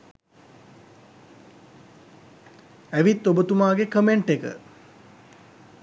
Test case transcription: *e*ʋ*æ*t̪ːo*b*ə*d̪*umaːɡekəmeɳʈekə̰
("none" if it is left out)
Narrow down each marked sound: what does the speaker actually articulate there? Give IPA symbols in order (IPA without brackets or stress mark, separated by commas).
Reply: æ, i, b, t̪